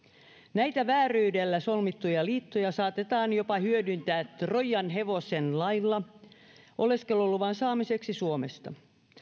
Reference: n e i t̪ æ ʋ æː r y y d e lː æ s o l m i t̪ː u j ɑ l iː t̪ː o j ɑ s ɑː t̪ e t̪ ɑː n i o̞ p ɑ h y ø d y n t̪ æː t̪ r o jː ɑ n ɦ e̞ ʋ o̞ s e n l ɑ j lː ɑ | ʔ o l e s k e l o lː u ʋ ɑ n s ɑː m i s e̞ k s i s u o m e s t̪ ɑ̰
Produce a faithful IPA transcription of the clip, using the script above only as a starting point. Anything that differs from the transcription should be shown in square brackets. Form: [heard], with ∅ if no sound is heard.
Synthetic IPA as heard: n [æ] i t̪ æ ʋ æː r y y d e lː æ s o l m i t̪ː u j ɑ l iː t̪ː o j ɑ s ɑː t̪ e t̪ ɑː n [j] o̞ p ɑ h y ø d y n t̪ æː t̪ r o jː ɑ n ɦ e̞ ʋ o̞ s e n l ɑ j lː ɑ | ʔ o l e s k e l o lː u ʋ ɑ n s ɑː m i s e̞ k s i s u o m e s t̪ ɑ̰